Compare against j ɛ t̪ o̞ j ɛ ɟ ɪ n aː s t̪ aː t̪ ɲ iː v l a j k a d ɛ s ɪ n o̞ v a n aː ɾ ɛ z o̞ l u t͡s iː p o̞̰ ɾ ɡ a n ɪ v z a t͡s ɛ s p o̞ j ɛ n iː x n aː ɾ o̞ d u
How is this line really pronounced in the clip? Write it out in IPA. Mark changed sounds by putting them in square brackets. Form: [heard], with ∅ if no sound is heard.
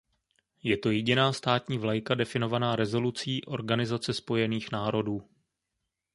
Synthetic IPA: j ɛ t̪ o̞ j ɛ ɟ ɪ n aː s t̪ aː t̪ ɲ iː v l a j k a d ɛ [f] ɪ n o̞ v a n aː ɾ ɛ z o̞ l u t͡s iː [ʔ] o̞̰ ɾ ɡ a n ɪ [∅] z a t͡s ɛ s p o̞ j ɛ n iː x n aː ɾ o̞ d [uː]